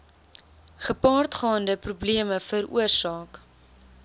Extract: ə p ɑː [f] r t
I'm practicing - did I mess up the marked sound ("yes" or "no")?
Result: yes